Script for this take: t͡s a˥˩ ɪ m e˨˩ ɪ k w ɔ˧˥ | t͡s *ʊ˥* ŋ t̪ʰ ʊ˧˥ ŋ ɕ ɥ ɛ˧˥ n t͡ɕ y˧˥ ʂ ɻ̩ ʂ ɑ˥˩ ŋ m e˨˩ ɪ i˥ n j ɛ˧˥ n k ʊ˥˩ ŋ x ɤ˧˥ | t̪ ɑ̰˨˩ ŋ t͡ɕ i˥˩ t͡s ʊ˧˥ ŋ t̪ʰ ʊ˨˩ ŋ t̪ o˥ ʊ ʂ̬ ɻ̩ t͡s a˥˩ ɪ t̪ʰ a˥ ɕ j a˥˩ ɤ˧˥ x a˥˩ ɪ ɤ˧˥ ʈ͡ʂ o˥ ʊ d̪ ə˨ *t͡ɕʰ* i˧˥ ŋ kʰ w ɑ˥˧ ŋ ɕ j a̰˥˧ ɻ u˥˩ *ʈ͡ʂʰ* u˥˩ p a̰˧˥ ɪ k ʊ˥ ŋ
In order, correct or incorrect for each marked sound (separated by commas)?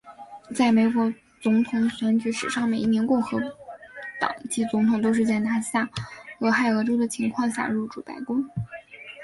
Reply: incorrect, correct, incorrect